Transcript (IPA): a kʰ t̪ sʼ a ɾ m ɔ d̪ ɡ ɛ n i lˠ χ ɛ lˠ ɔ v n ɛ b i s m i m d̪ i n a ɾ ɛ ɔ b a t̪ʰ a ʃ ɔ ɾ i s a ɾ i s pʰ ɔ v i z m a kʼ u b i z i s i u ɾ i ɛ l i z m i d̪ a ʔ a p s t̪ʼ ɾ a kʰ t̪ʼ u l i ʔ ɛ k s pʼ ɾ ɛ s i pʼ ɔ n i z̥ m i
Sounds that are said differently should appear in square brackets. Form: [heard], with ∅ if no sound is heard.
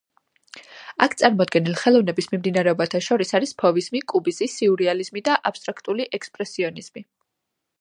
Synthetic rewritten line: a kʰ t̪ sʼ a ɾ m ɔ d̪ ɡ ɛ n i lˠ χ ɛ lˠ ɔ v n ɛ b i s m i m d̪ i n a ɾ ɛ ɔ b a t̪ʰ a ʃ ɔ ɾ i s a ɾ i s pʰ ɔ v i z m [i] kʼ u b i z i s i u ɾ i [a] l i z m i d̪ a ʔ a p s t̪ʼ ɾ a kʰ t̪ʼ u l i ʔ ɛ k s pʼ ɾ ɛ s i [∅] ɔ n i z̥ m i